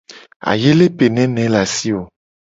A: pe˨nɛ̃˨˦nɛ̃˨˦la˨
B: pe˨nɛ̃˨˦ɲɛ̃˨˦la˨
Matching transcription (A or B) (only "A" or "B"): A